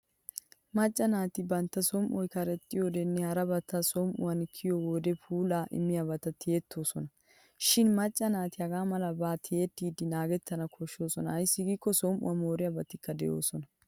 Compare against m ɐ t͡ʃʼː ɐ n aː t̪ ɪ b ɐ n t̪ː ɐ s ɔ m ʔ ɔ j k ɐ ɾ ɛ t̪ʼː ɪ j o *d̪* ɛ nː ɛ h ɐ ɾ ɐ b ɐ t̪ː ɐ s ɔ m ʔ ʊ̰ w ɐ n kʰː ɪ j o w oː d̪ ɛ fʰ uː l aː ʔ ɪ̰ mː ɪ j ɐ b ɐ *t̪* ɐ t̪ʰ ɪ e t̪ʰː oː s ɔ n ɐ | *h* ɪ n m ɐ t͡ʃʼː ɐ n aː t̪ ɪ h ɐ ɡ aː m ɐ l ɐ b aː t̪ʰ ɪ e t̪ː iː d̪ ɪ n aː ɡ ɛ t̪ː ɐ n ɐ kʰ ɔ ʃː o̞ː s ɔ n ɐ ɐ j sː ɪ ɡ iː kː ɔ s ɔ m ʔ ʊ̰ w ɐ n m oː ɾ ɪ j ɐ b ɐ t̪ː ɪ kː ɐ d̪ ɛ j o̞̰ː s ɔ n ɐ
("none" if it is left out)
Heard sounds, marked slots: d̪, t̪, ʃ

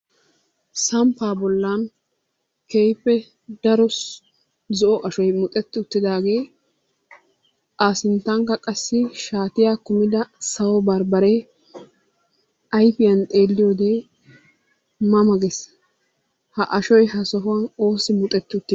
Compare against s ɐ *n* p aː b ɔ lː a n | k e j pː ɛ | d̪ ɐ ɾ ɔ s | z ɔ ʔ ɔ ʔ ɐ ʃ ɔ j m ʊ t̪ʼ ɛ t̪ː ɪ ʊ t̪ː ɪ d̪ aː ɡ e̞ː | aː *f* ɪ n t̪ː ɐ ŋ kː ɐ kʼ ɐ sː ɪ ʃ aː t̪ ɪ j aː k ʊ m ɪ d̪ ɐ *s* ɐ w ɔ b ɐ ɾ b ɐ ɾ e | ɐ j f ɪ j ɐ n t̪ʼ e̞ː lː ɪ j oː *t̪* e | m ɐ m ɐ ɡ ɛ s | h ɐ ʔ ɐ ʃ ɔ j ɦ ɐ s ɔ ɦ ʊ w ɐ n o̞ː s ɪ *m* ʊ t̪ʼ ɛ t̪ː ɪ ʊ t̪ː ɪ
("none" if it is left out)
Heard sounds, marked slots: m, s, s, d̪, m

